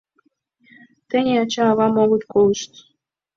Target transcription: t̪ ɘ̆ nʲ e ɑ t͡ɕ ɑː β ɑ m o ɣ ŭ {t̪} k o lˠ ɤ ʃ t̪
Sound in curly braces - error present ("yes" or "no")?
no